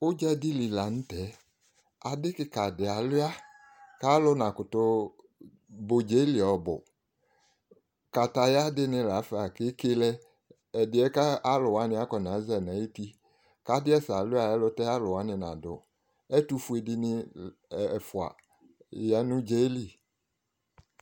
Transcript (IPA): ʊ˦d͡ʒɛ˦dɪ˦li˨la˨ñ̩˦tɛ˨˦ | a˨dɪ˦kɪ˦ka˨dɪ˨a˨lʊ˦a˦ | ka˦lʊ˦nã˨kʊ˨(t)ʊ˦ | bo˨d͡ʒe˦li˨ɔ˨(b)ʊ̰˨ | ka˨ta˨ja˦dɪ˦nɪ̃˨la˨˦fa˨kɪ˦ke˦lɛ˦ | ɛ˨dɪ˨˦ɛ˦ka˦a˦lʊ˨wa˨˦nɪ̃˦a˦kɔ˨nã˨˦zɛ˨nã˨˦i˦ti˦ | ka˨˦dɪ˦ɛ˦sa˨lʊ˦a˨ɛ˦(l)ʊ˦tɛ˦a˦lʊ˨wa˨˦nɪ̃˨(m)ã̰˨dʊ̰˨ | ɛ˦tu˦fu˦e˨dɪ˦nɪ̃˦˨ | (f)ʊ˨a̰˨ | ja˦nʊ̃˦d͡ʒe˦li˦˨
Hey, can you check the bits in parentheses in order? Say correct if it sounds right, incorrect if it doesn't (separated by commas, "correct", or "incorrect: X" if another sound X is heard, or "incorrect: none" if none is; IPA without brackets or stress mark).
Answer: correct, correct, correct, incorrect: n, correct